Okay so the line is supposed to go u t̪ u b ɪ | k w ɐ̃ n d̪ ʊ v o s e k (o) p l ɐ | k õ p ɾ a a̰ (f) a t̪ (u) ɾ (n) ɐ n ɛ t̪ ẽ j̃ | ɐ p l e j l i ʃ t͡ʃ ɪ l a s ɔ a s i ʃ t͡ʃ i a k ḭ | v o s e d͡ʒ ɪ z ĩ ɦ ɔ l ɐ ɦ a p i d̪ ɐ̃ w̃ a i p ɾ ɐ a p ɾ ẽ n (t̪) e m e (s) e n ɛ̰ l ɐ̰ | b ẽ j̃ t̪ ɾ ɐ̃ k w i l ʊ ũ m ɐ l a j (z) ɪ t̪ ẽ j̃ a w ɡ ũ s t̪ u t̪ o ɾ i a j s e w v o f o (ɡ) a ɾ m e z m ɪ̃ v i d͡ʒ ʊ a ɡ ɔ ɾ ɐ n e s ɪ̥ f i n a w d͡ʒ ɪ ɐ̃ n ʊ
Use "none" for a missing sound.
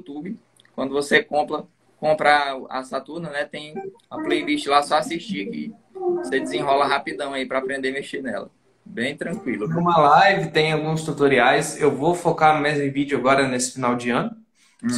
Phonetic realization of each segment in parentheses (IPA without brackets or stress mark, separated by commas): õ, s, u, n, d̪, ʃ, v, k